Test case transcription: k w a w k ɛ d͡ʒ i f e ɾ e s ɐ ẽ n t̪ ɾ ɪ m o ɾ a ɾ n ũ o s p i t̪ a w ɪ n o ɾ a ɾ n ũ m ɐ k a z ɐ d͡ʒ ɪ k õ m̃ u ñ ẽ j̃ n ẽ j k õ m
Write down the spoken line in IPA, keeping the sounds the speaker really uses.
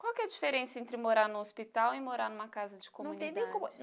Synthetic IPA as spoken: k w a w k ɛ d͡ʒ i f e ɾ ẽ s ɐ ẽ n t̪ ɾ ɪ m o ɾ a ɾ n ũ o s p i t̪ a w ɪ m o ɾ a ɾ n ũ m ɐ k a z ɐ d͡ʒ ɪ k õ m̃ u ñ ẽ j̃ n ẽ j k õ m